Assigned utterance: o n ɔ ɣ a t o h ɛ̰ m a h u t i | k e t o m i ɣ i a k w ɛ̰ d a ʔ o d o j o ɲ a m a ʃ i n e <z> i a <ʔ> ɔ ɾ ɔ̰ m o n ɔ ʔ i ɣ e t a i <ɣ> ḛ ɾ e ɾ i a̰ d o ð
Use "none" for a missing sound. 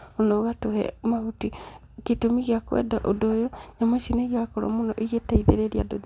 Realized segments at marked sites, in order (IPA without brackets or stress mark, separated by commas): ɣ, k, ð